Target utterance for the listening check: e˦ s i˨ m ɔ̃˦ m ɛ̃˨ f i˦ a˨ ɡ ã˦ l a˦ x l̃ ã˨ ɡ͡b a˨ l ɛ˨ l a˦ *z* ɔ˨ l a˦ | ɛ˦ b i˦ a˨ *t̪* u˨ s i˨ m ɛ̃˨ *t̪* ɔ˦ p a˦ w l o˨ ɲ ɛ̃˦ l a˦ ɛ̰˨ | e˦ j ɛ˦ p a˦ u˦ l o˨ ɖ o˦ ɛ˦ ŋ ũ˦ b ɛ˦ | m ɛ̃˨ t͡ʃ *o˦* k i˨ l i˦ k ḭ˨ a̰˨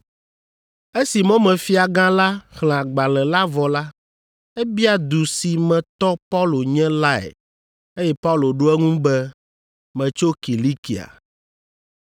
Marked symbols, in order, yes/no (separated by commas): no, no, yes, yes